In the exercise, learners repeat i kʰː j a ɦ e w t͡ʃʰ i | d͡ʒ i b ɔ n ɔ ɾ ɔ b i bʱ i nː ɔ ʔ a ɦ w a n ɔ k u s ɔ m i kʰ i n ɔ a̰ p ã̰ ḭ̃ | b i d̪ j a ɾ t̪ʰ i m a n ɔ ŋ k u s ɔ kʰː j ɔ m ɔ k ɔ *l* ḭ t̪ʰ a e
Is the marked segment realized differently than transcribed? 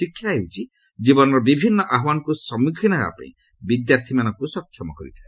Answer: yes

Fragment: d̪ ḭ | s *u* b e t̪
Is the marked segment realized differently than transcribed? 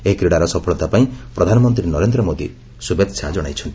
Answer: no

